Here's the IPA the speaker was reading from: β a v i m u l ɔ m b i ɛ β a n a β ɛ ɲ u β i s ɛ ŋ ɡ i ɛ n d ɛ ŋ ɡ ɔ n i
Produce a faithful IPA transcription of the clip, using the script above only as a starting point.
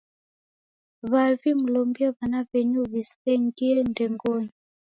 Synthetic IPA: β a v i m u l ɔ m b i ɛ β a n a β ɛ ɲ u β i s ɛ ŋ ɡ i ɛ n d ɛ ŋ ɡ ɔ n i